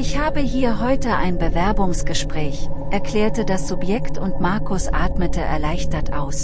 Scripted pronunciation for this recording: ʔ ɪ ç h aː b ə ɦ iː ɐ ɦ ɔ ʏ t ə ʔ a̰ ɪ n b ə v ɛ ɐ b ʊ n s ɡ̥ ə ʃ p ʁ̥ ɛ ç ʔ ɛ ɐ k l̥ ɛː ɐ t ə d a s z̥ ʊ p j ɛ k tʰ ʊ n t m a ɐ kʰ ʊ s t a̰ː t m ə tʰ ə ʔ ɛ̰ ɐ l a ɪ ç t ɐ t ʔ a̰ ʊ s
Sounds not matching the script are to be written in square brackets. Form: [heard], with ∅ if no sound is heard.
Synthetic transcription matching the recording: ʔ ɪ ç h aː b ə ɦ iː ɐ ɦ ɔ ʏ t ə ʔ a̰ ɪ n b ə v ɛ ɐ b ʊ [ŋ] s ɡ̥ ə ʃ p ʁ̥ [ɛː] ç ʔ ɛ ɐ k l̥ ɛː ɐ t ə d a s z̥ ʊ p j ɛ k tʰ ʊ n t m a ɐ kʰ ʊ s [ʔ] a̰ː t m ə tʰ ə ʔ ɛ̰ ɐ l a ɪ ç t ɐ t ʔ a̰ ʊ s